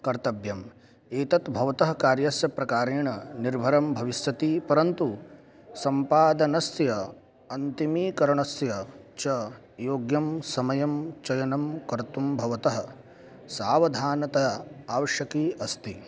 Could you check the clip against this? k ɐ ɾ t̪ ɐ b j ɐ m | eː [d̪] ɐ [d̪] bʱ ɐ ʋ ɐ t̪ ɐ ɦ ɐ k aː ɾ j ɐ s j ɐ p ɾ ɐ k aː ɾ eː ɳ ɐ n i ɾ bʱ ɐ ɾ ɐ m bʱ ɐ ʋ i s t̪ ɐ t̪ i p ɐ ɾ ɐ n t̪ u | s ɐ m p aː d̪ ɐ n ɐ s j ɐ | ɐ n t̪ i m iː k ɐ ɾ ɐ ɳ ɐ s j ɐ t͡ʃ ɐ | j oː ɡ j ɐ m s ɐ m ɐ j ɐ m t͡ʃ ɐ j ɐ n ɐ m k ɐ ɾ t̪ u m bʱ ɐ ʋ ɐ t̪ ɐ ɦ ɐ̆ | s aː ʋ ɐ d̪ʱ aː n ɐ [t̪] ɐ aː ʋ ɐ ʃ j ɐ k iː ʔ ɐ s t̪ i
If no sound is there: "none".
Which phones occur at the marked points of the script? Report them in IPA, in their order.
t̪, t̪, t̪

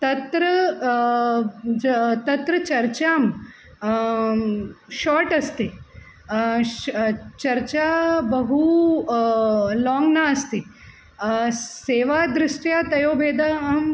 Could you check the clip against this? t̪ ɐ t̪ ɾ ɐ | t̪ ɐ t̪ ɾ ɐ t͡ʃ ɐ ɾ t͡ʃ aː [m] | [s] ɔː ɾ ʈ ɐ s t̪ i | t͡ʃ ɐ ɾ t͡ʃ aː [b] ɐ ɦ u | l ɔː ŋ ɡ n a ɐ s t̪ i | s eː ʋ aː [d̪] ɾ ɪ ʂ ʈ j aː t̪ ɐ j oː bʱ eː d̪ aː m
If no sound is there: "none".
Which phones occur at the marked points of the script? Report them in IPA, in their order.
m, ʃ, b, d̪

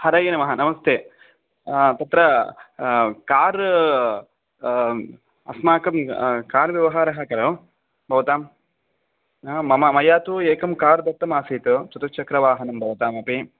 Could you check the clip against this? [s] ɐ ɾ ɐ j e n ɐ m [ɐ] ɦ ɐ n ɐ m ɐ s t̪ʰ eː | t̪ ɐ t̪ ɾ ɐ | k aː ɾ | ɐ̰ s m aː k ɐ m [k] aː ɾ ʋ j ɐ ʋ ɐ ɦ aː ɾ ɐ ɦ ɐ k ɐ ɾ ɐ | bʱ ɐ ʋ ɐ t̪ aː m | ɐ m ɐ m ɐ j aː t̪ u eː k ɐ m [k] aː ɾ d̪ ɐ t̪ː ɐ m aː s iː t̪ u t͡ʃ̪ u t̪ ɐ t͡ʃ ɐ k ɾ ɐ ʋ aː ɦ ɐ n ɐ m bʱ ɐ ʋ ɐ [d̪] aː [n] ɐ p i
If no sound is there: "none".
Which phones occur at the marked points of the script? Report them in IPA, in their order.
h, ɐ, k, k, t̪, m

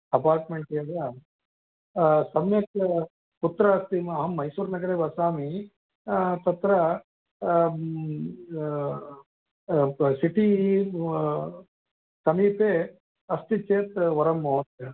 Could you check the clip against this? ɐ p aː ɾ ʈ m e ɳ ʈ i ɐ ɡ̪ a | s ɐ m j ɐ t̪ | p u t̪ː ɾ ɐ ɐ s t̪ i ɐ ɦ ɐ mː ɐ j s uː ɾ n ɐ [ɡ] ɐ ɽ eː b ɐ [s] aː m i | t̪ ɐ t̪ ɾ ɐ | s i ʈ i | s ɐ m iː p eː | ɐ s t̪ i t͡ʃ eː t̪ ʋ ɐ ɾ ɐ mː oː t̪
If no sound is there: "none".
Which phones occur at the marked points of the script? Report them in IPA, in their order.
ɡ, s

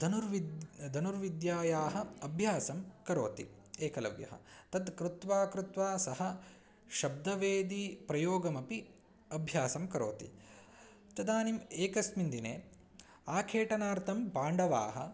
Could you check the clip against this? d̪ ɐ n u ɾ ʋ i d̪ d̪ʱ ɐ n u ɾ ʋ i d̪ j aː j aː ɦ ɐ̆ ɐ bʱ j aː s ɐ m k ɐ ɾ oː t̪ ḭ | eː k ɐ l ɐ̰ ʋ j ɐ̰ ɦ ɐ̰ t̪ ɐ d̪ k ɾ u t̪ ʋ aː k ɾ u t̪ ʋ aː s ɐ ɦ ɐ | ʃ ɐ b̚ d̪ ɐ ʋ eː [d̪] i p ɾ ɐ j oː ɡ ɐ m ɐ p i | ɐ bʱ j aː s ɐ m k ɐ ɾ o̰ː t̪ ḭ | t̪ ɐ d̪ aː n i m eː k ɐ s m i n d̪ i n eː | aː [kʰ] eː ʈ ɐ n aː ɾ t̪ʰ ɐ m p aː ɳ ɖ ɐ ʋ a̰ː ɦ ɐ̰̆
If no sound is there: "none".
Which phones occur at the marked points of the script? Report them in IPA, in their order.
d̪, kʰ

